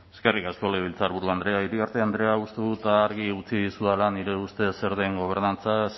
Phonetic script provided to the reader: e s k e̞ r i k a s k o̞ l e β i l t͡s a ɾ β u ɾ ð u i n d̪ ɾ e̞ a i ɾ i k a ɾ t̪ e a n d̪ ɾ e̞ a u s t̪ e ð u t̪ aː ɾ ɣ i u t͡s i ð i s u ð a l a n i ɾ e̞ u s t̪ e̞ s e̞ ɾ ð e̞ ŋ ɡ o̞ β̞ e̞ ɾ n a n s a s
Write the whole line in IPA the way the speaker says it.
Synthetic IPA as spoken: e s k e̞ r i k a s k o̞ l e β i l t͡s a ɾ β u ɾ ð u a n d̪ ɾ e̞ a i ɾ i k a ɾ t̪ e a n d̪ ɾ e̞ a u s t̪ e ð u t̪ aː ɾ ɣ i u t͡s i ð i s u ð a l a n i ɾ e̞ u s t̪ e̞ s e̞ ɾ ð e̞ ŋ ɡ o̞ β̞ e̞ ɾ n a n t͡s a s